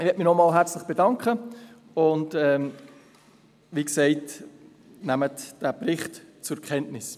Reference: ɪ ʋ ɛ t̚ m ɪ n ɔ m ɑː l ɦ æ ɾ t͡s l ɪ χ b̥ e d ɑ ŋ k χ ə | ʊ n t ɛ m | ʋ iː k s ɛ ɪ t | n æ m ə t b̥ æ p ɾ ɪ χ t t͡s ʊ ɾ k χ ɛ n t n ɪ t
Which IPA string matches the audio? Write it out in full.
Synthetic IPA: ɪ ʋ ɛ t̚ m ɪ n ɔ m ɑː l ɦ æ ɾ t͡s l ɪ χ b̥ e d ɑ ŋ k χ ə | ʊ n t ɛ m | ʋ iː k s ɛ ɪ t | n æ m ə t d̥ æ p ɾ ɪ χ t t͡s ʊ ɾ k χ ɛ n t n ɪ s